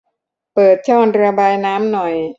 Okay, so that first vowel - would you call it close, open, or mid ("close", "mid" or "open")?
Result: mid